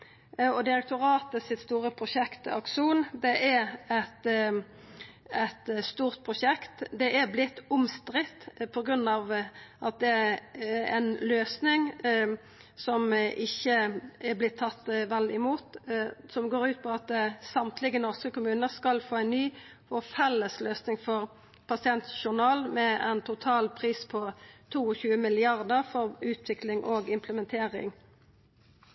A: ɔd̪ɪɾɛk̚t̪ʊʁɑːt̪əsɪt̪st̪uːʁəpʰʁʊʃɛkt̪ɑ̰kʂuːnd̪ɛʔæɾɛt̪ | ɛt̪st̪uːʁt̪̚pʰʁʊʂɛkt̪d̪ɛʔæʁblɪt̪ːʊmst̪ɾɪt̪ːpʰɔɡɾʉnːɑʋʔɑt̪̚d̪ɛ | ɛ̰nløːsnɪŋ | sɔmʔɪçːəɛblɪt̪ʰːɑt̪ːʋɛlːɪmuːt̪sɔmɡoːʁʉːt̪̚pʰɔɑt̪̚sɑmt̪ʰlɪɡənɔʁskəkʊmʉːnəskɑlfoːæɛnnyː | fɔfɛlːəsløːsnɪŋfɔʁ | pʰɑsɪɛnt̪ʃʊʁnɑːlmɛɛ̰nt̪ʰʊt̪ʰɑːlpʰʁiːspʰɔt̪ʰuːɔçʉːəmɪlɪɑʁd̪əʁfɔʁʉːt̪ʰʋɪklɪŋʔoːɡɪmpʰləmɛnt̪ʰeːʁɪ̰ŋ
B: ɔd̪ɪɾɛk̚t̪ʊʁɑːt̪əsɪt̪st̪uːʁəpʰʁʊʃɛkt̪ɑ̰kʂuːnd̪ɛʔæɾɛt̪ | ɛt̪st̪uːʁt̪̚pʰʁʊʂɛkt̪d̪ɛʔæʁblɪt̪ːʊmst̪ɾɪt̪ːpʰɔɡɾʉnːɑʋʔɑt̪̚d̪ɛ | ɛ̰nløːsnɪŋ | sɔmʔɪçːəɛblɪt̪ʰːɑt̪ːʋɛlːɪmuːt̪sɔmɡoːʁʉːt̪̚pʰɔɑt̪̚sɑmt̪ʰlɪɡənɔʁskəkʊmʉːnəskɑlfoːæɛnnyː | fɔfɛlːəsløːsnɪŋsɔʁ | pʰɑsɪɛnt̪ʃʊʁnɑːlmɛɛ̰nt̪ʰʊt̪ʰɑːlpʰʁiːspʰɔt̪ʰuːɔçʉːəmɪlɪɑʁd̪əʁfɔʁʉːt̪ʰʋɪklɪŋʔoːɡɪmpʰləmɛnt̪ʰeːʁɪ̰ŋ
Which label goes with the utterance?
A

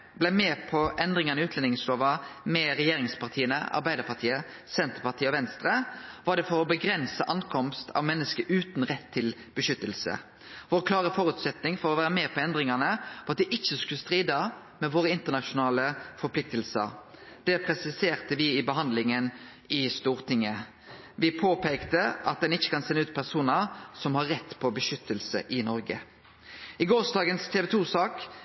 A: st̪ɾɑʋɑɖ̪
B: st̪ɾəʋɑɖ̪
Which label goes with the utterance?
B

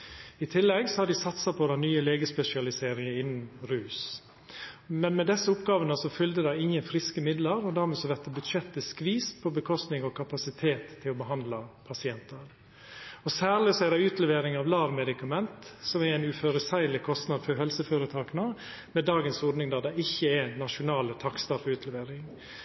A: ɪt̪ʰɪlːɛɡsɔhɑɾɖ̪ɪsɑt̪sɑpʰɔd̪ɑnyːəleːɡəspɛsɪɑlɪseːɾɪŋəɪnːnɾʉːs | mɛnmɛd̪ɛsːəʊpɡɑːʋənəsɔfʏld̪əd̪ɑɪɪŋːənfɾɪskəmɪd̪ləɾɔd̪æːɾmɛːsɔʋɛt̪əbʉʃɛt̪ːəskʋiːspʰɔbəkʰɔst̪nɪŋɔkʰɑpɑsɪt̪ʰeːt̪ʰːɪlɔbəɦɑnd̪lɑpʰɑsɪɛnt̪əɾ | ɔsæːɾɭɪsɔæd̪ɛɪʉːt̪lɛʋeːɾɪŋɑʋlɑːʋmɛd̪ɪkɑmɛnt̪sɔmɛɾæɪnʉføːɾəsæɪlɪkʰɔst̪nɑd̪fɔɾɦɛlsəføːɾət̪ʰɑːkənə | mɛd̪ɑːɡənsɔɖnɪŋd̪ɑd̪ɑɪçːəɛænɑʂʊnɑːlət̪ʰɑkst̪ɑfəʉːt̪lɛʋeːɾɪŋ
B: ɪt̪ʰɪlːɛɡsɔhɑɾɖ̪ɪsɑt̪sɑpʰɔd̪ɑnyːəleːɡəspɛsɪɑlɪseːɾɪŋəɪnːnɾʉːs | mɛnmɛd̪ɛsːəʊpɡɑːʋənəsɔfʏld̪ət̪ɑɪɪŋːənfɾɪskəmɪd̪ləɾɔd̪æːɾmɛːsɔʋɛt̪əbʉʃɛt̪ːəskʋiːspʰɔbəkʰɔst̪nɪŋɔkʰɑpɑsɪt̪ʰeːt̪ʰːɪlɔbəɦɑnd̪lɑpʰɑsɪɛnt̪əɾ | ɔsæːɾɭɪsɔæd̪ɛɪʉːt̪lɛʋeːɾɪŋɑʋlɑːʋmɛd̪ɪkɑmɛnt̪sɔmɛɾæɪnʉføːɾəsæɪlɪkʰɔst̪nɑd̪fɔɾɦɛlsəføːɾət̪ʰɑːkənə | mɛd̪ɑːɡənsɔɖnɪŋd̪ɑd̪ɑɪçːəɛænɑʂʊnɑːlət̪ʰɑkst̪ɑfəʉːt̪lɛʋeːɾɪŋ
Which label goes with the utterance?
A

